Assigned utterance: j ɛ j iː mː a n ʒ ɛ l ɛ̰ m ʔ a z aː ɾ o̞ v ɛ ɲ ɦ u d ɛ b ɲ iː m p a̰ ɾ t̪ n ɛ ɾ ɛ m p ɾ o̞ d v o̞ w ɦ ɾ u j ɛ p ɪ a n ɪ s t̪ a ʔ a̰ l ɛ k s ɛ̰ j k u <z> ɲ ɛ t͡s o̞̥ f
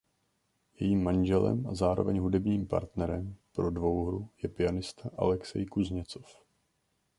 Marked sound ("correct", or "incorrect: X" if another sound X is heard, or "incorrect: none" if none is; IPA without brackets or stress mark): correct